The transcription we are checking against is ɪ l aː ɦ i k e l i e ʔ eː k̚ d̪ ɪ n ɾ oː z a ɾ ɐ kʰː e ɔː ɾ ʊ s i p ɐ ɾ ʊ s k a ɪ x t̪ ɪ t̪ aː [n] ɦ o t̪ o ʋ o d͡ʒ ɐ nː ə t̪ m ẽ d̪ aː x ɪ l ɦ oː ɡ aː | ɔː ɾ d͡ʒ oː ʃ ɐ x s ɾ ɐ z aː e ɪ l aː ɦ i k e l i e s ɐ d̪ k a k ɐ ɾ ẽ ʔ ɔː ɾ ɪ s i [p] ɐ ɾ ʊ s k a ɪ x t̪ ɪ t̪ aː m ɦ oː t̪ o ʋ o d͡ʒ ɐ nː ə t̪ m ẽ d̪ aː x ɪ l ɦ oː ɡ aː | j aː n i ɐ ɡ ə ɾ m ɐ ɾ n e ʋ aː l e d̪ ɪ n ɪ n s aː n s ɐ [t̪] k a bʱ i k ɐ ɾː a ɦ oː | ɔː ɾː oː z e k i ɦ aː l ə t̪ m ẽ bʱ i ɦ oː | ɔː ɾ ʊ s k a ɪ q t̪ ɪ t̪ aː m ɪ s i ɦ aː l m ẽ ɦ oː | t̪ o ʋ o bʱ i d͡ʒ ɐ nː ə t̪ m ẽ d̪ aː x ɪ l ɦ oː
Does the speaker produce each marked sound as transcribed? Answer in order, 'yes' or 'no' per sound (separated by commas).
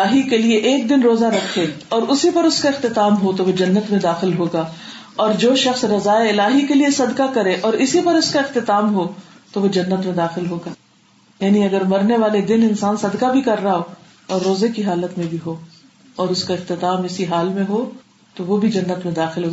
no, yes, no